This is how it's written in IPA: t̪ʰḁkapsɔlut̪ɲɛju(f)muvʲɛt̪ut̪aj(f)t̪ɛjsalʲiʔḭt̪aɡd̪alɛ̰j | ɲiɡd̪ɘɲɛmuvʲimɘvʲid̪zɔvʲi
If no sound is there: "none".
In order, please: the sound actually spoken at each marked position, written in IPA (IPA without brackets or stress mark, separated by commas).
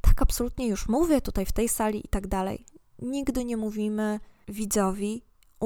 ʂ, f